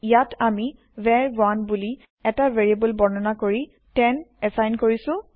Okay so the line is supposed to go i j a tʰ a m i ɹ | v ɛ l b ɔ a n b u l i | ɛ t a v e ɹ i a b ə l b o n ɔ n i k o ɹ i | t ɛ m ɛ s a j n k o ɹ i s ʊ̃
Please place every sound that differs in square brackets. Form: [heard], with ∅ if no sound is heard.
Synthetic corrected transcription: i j a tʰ a m i [∅] | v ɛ [ɹ] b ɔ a n b u l i | ɛ t a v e ɹ i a b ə l b [ɔ] n ɔ n [a] k o ɹ i | t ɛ [n] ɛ s a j n k o ɹ i s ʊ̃